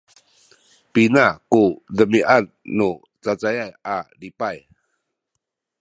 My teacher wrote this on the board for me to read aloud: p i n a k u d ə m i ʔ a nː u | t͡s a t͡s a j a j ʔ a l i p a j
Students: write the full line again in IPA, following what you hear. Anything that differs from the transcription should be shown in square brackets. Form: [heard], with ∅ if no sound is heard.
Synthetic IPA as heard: p i n a k u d ə m i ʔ a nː u | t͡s a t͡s a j a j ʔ a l i p a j